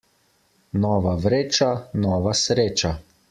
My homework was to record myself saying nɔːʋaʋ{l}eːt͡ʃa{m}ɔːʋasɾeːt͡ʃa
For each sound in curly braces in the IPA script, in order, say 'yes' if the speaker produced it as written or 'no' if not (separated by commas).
no, no